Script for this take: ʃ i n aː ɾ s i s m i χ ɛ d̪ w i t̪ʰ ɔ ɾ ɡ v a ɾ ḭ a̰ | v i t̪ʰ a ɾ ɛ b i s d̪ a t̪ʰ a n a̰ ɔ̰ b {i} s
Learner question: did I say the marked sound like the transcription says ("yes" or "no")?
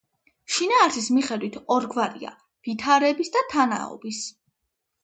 yes